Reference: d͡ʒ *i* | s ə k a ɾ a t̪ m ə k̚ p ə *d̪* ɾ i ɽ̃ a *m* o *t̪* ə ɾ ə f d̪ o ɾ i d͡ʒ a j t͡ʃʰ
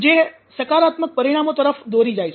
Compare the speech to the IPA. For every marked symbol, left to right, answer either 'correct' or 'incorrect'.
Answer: incorrect, incorrect, correct, correct

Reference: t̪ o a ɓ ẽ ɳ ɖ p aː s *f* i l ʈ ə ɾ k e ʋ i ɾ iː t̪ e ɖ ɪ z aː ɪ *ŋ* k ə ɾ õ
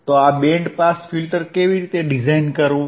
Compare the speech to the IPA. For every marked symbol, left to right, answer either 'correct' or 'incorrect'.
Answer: correct, incorrect

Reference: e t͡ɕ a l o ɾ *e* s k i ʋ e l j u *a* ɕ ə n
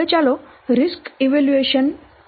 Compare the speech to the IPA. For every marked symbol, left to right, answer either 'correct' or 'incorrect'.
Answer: incorrect, incorrect

